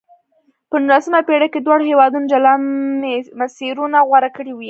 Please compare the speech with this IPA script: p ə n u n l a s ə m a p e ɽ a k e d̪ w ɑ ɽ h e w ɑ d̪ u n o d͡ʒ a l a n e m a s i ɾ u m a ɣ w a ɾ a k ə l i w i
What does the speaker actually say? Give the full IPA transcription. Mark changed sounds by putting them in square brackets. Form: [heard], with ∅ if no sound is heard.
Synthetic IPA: p ə n u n l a s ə m a p e ɽ a k e d̪ w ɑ ɽ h e w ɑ d̪ u n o d͡ʒ a l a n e m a s i ɾ u [n] a ɣ w a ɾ a k ə [ɽ] i w i